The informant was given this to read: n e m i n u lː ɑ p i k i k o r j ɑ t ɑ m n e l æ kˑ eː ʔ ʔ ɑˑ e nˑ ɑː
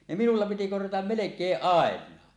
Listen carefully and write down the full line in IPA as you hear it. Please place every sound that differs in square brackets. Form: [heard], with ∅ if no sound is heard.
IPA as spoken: n e m i n u lː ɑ p i [t] i k o r j ɑ t ɑ m [m] e l [e] kˑ eː ʔ ʔ ɑˑ e nˑ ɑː